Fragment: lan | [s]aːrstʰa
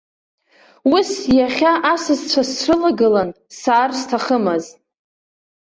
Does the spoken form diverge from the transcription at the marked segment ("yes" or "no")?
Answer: no